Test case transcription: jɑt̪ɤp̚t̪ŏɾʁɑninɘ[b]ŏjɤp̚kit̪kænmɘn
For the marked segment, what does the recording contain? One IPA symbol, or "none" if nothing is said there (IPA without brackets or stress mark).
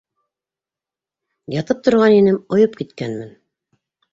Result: m